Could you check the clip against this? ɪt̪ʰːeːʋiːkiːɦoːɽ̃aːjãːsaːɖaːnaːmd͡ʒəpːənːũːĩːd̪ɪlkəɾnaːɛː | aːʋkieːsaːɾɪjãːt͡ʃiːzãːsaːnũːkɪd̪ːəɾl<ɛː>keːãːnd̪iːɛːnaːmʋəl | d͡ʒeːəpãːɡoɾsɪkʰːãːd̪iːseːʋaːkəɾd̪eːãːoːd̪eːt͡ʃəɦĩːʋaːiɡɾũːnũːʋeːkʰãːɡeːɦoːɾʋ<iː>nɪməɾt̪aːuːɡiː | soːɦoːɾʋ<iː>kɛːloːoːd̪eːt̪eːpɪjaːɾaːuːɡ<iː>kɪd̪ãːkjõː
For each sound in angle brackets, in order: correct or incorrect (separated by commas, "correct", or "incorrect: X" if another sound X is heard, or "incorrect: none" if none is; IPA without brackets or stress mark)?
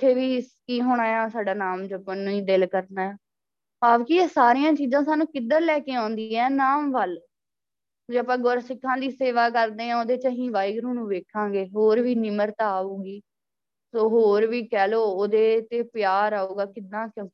correct, correct, correct, incorrect: aː